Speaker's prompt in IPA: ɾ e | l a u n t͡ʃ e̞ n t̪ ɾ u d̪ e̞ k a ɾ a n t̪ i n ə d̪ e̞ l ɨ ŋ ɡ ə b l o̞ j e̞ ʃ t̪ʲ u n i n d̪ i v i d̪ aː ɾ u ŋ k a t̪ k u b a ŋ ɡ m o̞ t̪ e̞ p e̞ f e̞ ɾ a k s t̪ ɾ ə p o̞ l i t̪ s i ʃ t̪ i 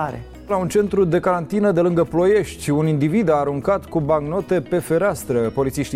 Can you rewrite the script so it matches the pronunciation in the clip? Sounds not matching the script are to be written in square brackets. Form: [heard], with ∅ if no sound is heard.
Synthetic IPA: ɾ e | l a u n t͡ʃ e̞ n t̪ ɾ u d̪ e̞ k a ɾ a n t̪ i n ə d̪ e̞ l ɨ ŋ ɡ ə [p] l o̞ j e̞ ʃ t̪ʲ u n i n d̪ i v i d̪ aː ɾ u ŋ k a t̪ k u b a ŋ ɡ [n] o̞ t̪ e̞ p e̞ f e̞ ɾ a [∅] s t̪ ɾ ə p o̞ l i t̪ s i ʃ t̪ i